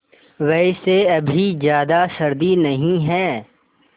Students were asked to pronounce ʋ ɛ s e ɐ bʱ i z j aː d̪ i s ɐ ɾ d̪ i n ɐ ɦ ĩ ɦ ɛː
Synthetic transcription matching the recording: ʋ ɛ s e ɐ bʱ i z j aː d̪ a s ɐ ɾ d̪ i n ɐ ɦ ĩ ɦ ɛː